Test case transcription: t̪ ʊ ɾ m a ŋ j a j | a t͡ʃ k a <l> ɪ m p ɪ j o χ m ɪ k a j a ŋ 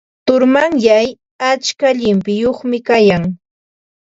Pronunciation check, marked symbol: incorrect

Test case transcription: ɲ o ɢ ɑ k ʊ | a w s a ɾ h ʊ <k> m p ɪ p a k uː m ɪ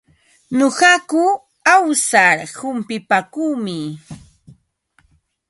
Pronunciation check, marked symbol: incorrect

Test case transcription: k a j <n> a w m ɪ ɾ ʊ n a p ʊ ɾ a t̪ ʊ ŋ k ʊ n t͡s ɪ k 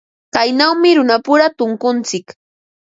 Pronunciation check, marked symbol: correct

